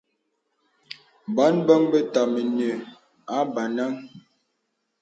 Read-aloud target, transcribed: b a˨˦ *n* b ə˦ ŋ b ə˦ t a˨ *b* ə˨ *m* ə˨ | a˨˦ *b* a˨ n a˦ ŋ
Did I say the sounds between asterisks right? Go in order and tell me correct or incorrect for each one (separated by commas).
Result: correct, incorrect, incorrect, correct